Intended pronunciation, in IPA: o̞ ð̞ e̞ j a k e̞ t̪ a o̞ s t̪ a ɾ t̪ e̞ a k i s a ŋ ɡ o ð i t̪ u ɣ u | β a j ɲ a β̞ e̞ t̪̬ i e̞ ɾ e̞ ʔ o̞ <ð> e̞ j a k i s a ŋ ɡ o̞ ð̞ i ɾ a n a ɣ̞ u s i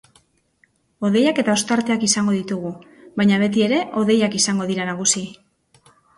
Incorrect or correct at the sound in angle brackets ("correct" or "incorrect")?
correct